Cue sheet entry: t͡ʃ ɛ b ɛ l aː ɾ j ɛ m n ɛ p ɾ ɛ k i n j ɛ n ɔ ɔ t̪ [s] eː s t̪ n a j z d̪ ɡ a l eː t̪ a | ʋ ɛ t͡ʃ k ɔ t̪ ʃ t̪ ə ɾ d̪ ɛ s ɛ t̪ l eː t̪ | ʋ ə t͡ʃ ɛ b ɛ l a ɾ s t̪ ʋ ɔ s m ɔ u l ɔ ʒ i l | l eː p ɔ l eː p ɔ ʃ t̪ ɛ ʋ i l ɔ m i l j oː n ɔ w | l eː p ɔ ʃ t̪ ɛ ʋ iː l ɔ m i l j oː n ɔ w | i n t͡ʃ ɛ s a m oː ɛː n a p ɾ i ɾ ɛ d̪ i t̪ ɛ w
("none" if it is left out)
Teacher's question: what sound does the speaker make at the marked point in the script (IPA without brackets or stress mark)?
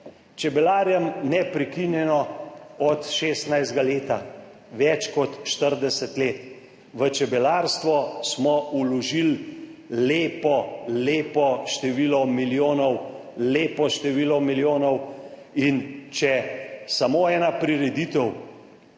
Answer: ʃ